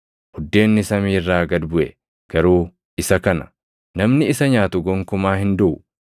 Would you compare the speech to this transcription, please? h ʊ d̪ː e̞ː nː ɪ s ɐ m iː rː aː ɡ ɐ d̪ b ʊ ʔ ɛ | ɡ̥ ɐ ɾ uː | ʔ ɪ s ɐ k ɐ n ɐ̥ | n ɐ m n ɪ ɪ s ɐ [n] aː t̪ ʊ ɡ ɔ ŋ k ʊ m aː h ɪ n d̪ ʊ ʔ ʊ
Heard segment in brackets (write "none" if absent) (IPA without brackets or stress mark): ɲ